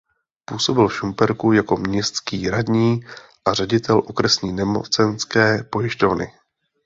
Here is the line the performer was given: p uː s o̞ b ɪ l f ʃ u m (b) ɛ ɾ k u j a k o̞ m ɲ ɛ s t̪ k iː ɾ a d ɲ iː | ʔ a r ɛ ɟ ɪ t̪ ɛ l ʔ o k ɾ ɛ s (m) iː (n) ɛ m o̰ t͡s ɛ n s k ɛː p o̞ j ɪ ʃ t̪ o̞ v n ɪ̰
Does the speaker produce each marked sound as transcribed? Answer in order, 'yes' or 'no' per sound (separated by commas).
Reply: no, no, yes